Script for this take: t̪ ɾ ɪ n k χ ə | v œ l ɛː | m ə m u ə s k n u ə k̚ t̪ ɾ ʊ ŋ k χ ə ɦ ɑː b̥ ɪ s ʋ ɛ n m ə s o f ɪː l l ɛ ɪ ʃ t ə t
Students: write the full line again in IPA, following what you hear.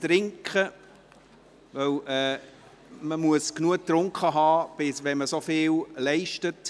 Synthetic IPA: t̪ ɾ ɪ ŋ k χ ə | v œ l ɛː | m ə m u ə s k n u ə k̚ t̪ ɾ ʊ ŋ k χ ə ɦ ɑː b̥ ɪ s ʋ ɛ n m ə s o f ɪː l l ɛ ɪ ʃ t ə t